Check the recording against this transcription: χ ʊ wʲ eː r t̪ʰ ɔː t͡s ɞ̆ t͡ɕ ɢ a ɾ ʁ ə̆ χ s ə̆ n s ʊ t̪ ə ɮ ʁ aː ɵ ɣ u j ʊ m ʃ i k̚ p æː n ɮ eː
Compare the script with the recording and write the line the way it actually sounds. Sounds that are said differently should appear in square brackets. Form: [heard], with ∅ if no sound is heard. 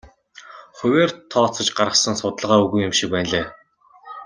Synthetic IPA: χ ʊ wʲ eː r t̪ʰ ɔː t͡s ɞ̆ t͡ɕ ɢ a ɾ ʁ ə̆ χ s ə̆ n s ʊ t̪ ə ɮ ʁ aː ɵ ɣ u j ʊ m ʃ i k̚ p æː n ɮ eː